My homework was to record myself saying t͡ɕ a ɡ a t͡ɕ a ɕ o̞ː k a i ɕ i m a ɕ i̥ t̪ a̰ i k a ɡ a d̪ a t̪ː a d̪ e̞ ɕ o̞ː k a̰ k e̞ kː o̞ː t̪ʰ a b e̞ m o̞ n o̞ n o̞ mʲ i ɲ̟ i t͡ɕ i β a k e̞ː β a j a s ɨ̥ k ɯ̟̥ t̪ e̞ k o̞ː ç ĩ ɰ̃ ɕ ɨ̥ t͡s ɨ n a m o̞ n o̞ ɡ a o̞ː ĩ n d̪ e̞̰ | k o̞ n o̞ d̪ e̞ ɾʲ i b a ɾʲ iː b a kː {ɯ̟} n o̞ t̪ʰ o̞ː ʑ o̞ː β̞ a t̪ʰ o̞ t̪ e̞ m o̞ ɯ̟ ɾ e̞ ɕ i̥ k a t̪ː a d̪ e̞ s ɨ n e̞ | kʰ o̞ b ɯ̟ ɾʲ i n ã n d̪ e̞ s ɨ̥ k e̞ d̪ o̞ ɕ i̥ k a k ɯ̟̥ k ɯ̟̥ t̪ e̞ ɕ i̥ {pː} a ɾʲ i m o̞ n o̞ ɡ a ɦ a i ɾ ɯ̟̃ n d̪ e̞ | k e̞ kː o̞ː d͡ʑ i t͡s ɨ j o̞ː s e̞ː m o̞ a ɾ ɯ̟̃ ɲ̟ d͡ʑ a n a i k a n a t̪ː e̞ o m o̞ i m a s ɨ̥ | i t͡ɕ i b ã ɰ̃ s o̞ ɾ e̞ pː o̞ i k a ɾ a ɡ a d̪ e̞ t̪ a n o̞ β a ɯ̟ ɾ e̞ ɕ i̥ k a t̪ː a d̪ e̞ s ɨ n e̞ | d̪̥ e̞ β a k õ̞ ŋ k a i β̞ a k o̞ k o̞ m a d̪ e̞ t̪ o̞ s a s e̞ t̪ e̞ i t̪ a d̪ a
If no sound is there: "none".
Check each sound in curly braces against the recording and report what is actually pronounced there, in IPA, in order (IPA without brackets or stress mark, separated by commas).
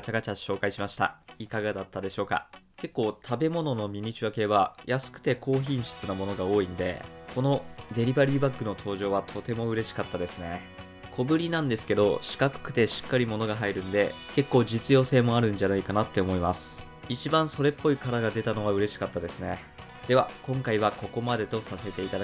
ɯ̟, kː